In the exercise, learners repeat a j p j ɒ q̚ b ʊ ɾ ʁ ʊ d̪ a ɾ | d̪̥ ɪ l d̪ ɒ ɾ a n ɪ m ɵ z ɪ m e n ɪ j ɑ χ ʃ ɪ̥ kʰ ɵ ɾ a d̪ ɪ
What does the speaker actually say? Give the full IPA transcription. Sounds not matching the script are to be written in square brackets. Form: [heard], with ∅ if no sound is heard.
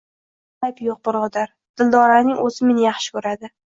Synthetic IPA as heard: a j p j [o] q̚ b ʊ ɾ ʁ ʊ d̪ a ɾ | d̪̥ ɪ l d̪ ɒ ɾ a n ɪ [ŋ] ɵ z ɪ m e n ɪ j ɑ χ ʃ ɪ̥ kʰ ɵ ɾ a d̪ ɪ